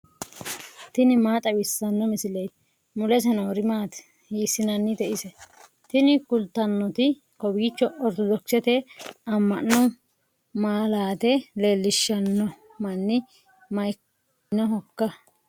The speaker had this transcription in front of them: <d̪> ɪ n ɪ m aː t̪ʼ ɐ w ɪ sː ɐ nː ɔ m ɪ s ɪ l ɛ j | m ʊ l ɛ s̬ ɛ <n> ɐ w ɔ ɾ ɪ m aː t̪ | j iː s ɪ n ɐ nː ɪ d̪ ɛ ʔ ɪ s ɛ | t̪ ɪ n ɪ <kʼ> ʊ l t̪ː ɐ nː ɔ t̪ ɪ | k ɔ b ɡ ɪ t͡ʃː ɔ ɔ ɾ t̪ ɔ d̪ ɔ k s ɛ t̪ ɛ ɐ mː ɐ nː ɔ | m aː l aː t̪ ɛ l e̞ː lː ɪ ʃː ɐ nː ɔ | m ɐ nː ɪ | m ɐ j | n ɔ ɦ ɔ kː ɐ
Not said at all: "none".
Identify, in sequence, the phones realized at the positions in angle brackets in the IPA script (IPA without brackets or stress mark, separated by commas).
t̪, n, k